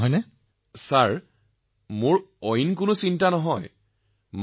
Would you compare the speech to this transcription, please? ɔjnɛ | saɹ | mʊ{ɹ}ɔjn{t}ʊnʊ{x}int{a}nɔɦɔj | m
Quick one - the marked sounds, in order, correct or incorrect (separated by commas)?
correct, incorrect, incorrect, correct